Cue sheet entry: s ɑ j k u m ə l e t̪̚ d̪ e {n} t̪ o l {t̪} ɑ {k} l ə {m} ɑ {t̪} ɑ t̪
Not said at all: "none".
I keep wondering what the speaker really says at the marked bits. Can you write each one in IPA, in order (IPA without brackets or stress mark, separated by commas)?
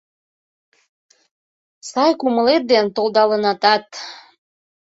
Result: n, d̪, none, n, t̪